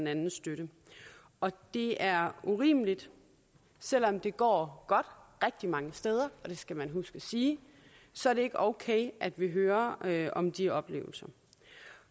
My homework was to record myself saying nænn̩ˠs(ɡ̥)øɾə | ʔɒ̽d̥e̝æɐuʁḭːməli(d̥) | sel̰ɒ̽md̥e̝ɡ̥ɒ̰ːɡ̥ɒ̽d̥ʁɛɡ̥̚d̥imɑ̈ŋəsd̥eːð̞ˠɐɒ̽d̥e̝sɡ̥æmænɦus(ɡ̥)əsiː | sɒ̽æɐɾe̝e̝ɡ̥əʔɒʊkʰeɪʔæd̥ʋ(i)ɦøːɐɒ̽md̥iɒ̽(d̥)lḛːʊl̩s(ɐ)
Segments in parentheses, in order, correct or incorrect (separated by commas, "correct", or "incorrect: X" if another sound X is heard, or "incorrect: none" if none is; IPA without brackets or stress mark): incorrect: d̥, correct, correct, correct, incorrect: b̥, correct